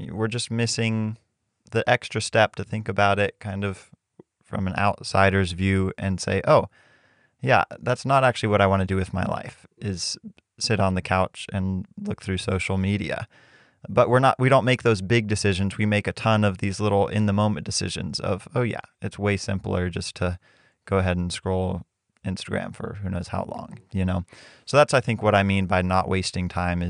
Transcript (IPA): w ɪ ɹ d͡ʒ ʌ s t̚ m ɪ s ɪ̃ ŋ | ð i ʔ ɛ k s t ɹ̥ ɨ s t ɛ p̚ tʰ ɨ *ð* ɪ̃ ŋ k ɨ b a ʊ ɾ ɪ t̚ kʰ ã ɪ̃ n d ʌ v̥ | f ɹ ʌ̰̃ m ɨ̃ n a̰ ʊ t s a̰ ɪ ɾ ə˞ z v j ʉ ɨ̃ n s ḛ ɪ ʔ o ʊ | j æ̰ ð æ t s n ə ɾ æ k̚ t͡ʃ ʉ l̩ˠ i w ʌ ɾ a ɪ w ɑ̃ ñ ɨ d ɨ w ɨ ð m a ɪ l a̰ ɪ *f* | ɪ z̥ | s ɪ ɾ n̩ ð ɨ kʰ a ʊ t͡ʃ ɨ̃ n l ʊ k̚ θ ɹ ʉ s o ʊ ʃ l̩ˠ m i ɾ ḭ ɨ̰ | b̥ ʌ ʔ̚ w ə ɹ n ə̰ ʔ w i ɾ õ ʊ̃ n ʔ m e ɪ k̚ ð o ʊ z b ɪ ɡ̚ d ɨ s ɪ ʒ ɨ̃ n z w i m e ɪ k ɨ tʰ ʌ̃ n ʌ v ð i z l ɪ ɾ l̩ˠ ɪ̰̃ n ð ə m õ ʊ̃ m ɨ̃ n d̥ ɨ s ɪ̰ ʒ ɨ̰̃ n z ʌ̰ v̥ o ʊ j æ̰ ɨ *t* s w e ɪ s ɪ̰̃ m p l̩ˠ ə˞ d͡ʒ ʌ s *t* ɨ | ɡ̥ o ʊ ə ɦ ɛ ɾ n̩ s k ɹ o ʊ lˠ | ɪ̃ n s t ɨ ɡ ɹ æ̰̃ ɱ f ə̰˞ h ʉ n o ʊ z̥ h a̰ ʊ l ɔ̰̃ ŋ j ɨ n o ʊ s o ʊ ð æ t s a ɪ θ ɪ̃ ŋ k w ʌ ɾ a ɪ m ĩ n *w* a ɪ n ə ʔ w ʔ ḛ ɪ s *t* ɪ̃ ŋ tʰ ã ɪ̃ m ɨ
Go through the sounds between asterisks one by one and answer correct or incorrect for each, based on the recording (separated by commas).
incorrect, correct, correct, incorrect, incorrect, correct